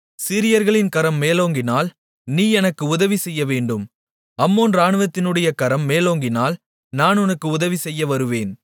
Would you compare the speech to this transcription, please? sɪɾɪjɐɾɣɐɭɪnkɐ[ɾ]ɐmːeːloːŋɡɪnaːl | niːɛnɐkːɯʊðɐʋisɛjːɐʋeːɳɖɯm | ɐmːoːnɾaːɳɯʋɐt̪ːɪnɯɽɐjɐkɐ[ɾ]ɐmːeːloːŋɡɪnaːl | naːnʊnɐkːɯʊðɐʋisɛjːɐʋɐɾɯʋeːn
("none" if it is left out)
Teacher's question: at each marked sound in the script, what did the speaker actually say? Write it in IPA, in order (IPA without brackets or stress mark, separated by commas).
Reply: ɾ, ɾ